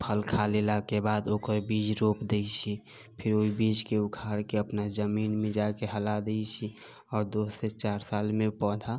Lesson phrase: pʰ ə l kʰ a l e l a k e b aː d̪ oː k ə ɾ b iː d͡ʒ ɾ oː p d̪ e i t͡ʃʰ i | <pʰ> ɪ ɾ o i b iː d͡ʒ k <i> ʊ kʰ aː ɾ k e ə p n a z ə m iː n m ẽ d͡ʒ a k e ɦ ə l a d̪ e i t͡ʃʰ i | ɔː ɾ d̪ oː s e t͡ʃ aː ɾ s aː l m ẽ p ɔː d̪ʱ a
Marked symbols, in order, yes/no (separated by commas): yes, no